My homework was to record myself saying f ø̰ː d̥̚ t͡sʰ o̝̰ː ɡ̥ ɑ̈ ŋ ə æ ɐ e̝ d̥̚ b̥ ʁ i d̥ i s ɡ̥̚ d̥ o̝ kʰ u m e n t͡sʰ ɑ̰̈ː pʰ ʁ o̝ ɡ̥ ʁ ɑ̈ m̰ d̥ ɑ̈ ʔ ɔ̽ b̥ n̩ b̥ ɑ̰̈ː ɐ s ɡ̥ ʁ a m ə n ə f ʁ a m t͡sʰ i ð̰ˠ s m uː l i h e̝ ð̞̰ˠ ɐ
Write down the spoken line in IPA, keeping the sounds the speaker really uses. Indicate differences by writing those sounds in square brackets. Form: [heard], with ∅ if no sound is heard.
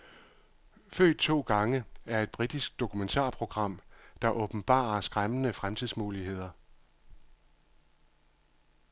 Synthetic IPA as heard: f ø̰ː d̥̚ t͡sʰ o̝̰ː ɡ̥ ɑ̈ ŋ ə æ ɐ e̝ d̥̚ b̥ ʁ i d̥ i s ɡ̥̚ d̥ o̝ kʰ u m e n t͡sʰ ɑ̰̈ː pʰ ʁ o̝ ɡ̥ ʁ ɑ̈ m̰ d̥ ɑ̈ ʔ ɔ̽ b̥ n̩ b̥ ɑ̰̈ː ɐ s ɡ̥ ʁ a m ə n ə f ʁ a m t͡sʰ i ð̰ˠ s m uː l i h e̝ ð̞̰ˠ ɐ